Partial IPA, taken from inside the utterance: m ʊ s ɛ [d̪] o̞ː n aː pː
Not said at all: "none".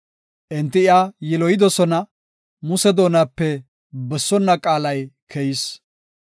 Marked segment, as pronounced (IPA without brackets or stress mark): d̪